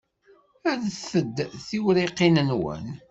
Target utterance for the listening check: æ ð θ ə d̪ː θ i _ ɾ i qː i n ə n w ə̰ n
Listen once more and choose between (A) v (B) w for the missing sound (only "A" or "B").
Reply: B